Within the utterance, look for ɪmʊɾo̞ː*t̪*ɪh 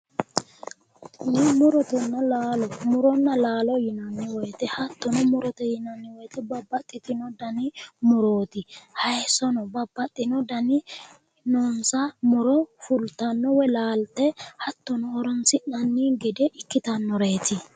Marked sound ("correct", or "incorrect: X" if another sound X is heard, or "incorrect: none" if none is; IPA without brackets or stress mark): correct